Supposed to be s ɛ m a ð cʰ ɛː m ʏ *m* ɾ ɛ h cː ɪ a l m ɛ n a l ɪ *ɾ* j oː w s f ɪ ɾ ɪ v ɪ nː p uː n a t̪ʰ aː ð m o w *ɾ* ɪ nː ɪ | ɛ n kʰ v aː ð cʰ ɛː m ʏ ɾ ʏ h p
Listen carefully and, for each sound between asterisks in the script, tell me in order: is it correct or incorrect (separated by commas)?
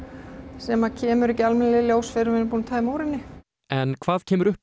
incorrect, incorrect, correct